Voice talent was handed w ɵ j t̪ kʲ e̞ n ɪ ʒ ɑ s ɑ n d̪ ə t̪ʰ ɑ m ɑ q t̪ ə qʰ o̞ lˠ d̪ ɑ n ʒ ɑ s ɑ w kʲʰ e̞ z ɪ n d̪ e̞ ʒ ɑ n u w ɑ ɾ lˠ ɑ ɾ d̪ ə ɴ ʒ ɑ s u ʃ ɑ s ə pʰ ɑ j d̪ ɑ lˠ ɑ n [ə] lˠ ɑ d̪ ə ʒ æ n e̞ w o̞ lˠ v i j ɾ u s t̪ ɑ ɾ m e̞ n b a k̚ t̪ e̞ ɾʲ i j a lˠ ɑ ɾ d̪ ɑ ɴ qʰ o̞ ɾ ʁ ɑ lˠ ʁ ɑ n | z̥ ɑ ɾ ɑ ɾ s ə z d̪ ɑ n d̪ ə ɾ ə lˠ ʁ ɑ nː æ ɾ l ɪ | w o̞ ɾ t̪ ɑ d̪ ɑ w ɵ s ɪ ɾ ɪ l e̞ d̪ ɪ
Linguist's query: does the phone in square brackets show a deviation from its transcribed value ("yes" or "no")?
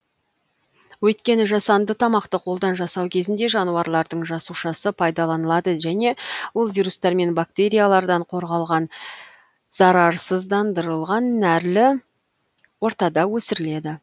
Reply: no